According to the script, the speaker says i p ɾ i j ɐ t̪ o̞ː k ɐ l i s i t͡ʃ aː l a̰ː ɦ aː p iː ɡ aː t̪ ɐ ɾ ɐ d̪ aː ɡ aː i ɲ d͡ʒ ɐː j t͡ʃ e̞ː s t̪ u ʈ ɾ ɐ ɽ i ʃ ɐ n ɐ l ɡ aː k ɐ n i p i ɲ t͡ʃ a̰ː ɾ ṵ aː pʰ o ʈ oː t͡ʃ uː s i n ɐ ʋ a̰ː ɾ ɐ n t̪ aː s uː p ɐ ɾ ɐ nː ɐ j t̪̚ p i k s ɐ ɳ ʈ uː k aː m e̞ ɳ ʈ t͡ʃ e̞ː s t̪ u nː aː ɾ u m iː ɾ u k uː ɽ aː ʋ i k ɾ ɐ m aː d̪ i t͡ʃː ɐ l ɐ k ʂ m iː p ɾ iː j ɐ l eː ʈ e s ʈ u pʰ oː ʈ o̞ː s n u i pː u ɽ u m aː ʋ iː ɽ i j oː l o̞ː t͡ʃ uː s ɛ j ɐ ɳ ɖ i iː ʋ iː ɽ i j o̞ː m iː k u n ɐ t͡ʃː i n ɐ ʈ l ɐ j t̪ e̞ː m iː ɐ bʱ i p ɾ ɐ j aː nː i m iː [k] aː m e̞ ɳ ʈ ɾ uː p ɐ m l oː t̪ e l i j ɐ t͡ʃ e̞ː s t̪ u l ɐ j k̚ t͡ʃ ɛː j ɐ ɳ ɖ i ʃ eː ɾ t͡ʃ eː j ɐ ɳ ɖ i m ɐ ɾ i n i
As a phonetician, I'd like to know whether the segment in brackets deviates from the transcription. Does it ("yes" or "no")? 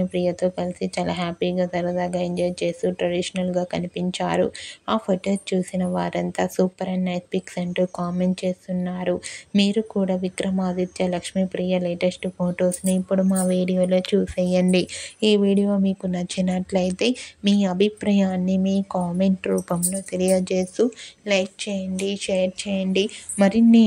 no